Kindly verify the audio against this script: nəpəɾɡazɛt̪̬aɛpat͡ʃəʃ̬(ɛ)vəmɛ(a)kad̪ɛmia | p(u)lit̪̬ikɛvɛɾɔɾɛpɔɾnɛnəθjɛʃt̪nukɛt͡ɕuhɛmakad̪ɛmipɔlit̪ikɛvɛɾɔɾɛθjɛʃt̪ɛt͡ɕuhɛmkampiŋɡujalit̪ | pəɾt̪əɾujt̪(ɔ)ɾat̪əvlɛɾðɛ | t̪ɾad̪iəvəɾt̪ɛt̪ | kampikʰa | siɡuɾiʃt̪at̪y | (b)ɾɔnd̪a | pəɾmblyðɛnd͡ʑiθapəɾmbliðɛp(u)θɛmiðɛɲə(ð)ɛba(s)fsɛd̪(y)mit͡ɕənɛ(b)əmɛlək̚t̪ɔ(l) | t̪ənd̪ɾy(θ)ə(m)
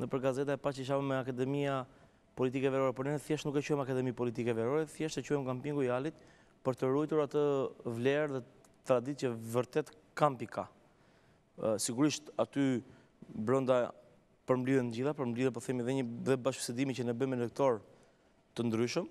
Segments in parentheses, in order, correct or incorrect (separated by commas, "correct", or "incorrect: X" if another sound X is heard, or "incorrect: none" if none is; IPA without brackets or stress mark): incorrect: a, correct, incorrect: ɔ, incorrect: u, correct, incorrect: ɔ, correct, incorrect: ʃ, incorrect: i, correct, incorrect: ɾ, incorrect: ʃ, correct